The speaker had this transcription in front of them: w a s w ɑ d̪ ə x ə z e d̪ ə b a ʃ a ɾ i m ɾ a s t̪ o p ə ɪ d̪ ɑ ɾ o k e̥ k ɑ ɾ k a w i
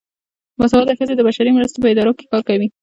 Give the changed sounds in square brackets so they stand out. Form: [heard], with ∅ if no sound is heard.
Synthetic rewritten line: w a s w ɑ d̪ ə x ə z e d̪ ə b a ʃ a ɾ i m ɾ a s t̪ o p ə ɪ d̪ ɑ ɾ o k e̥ k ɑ ɾ k a w i